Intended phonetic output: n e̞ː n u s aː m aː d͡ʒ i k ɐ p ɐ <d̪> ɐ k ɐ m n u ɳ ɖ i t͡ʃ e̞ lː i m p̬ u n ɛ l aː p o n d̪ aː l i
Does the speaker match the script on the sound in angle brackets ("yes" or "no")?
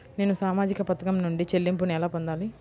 no